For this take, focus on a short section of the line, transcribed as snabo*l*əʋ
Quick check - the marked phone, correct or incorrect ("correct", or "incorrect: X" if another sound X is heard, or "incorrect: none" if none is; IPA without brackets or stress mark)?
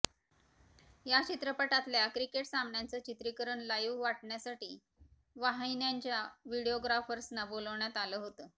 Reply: correct